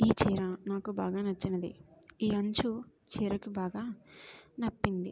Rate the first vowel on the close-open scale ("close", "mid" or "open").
close